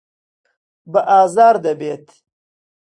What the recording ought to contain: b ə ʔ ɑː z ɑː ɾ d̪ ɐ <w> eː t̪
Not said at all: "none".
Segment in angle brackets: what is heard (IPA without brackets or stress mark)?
b